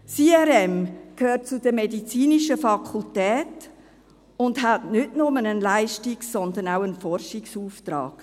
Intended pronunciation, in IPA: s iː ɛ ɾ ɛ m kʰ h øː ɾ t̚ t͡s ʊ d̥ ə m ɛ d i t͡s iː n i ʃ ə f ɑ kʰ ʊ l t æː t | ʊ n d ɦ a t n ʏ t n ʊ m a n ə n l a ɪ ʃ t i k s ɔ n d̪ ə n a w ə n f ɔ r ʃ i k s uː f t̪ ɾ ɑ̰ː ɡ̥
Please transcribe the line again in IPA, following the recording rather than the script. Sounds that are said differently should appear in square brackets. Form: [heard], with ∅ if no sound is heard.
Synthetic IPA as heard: s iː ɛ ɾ ɛ m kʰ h øː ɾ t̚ t͡s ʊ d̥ ə m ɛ d i t͡s iː n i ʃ ə f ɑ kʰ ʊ l t [ɛː] t | ʊ n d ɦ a t n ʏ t n ʊ m [ə] n ə n l a ɪ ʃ t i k s ɔ n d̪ ə n a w ə n f ɔ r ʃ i k s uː f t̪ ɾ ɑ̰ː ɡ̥